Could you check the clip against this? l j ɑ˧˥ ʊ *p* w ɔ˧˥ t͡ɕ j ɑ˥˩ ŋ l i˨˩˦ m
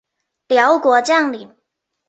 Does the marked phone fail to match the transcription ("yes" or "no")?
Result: yes